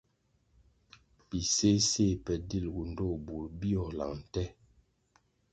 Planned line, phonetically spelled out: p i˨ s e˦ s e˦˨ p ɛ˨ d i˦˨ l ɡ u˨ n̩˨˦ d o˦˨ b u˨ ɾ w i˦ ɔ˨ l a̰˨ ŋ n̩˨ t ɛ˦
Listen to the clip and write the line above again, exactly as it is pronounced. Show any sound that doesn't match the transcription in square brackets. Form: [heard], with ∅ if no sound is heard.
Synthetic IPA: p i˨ s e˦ s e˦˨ p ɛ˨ d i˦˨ l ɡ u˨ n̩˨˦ d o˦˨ b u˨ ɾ [b] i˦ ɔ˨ l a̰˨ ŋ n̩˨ t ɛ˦